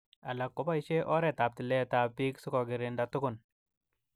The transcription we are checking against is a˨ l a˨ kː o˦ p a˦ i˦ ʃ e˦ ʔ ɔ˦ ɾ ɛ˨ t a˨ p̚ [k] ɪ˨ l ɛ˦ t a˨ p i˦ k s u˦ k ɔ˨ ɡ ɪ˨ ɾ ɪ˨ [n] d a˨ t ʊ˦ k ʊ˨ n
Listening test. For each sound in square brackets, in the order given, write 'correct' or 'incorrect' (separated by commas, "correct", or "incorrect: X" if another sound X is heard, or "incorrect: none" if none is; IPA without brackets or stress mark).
incorrect: t, correct